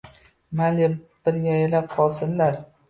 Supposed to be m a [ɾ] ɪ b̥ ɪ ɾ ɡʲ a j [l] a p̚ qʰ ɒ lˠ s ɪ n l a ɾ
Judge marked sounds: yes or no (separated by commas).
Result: no, yes